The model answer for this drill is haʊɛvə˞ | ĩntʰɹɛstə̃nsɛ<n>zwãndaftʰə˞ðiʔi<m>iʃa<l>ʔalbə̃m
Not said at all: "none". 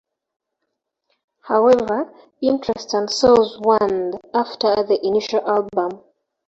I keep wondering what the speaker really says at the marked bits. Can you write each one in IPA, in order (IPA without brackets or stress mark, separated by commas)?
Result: none, n, l